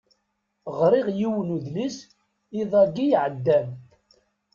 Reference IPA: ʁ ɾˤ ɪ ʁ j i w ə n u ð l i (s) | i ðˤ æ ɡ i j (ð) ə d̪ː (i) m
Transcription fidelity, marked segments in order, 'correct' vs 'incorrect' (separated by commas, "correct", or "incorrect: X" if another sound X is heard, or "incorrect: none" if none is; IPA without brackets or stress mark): correct, incorrect: ʕ, incorrect: æ